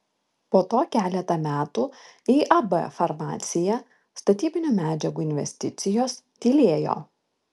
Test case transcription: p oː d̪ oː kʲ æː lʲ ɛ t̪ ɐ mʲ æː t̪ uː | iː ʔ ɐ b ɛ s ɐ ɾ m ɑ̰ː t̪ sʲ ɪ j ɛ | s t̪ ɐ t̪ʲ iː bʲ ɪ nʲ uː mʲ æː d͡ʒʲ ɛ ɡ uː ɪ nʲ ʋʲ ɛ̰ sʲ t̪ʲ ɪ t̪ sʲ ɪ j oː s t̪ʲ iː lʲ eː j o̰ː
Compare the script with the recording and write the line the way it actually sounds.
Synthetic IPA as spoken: p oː t̪ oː kʲ æː lʲ ɛ t̪ ɐ mʲ æː t̪ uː | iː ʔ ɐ b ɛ f ɐ ɾ m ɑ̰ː t̪ sʲ ɪ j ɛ | s t̪ ɐ t̪ʲ iː bʲ ɪ nʲ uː mʲ æː d͡ʒʲ ɛ ɡ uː ɪ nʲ ʋʲ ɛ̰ sʲ t̪ʲ ɪ t̪ sʲ ɪ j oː s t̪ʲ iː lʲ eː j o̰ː